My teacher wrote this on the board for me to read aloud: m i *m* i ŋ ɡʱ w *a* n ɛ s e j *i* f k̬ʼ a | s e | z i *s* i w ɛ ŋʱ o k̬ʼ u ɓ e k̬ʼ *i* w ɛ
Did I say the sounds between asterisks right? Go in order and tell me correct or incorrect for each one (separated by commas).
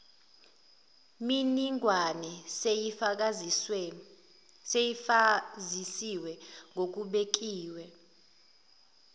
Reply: incorrect, correct, correct, correct, incorrect